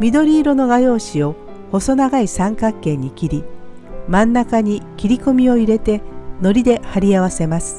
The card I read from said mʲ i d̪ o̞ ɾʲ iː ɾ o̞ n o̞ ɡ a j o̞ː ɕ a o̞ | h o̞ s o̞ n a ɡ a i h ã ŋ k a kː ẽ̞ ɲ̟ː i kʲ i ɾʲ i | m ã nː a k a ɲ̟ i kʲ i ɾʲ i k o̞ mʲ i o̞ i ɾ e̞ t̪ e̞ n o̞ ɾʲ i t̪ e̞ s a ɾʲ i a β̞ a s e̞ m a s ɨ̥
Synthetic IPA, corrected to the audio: mʲ i d̪ o̞ ɾʲ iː ɾ o̞ n o̞ ɡ a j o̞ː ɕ i o̞ | h o̞ s o̞ n a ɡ a i s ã ŋ k a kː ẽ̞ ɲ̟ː i kʲ i ɾʲ i | m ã nː a k a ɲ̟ i kʲ i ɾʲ i k o̞ mʲ i o̞ i ɾ e̞ t̪ e̞ n o̞ ɾʲ i d̪ e̞ h a ɾʲ i a β̞ a s e̞ m a s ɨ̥